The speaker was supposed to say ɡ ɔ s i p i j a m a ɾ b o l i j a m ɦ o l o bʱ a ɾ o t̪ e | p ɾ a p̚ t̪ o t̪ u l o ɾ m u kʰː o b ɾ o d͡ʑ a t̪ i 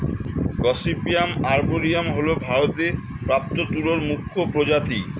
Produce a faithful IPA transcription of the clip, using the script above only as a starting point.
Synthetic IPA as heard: ɡ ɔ s i p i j a m a ɾ b o ɾ i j a m ɦ o l o bʱ a ɾ o t̪ e | p ɾ a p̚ t̪ o t̪ u l o ɾ m u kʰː o p ɾ o d͡ʑ a t̪ i